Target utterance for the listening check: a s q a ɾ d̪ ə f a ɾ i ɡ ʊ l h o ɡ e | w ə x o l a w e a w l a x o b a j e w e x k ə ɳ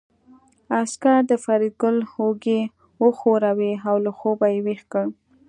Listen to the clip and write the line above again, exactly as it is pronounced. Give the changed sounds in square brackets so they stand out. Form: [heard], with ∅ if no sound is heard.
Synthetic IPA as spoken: a s [k] a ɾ d̪ ə f a ɾ i ɡ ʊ l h o ɡ e | w ə x o [ɾ] a w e a w l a x o b a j e w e x k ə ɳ